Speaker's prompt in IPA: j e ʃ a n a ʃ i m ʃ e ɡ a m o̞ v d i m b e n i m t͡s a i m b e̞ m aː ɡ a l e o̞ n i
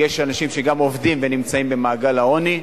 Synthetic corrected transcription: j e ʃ a n a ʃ i m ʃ e ɡ a m o̞ v d i m v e n i m t͡s a i m b e̞ m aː ɡ a l a o̞ n i